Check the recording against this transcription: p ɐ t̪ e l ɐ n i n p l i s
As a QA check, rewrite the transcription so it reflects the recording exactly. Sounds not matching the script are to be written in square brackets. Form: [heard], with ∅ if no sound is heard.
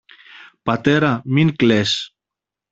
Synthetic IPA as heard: p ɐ t̪ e [ɾ] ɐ [m] i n [k] l [e] s